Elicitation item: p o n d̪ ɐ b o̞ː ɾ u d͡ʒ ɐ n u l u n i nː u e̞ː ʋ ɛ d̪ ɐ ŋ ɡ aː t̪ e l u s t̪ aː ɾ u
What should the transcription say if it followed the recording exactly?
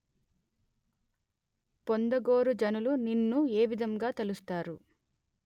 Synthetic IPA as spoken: p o n d̪ ɐ ɡ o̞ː ɾ u d͡ʒ ɐ n u l u n i nː u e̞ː ʋ i d̪ ɐ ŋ ɡ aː t̪ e l u s t̪ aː ɾ u

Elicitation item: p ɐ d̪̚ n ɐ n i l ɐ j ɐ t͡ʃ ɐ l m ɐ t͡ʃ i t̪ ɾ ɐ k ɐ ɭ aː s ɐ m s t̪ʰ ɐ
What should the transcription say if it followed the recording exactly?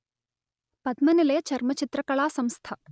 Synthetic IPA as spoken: p ɐ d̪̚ m ɐ n i l ɐ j ɐ t͡ʃ ɐ ɾ m ɐ t͡ʃ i t̪ ɾ ɐ k ɐ ɭ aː s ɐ m s t̪ʰ ɐ

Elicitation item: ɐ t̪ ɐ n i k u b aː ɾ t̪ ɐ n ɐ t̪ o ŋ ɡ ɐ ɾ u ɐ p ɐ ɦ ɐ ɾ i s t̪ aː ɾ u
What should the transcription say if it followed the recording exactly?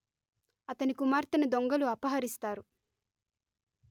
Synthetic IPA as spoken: ɐ t̪ ɐ n i k u m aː ɾ t̪ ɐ n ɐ d̪ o ŋ ɡ ɐ l u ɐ p ɐ ɦ ɐ ɾ i s t̪ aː ɾ u

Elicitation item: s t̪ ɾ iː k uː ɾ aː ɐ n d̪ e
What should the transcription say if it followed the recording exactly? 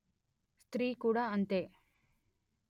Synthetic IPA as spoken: s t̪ ɾ iː k uː ɽ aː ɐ n t̪ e

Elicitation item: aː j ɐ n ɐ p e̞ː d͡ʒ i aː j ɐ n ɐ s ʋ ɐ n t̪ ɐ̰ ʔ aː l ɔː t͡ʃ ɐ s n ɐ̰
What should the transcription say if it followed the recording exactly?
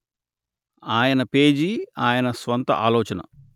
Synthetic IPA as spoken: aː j ɐ n ɐ p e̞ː d͡ʒ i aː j ɐ n ɐ s ʋ ɐ n t̪ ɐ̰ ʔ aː l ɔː t͡ʃ ɐ n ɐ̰

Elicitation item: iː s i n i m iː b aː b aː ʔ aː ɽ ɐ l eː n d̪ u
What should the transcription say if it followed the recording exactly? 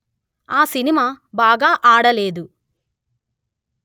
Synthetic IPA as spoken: aː s i n i m aː b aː ɡ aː ʔ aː ɽ ɐ l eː d̪ u

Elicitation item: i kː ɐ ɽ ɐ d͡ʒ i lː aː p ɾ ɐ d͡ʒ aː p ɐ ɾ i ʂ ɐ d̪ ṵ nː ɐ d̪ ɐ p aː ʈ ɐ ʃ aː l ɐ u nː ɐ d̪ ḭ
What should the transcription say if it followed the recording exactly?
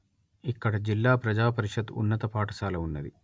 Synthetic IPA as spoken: i kː ɐ ɽ ɐ d͡ʒ i lː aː p ɾ ɐ d͡ʒ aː p ɐ ɾ i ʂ ɐ d̪ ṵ nː ɐ t̪ ɐ p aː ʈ ɐ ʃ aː l ɐ u nː ɐ d̪ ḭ

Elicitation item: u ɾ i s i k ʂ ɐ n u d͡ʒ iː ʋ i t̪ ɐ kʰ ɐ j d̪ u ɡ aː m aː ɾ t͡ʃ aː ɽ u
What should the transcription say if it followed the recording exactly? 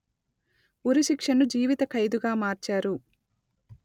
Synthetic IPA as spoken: u ɾ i ʃ i k ʂ ɐ n u d͡ʒ iː ʋ i t̪ ɐ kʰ ɐ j d̪ u ɡ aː m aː ɾ t͡ʃ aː ɾ u

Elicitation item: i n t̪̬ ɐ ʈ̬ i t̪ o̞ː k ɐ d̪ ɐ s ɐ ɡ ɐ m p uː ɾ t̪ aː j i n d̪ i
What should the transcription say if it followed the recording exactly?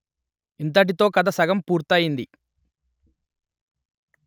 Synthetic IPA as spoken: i n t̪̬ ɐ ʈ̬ i t̪ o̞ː k ɐ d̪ ɐ s ɐ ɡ ɐ m p uː ɾ t̪ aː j i n d̪ i

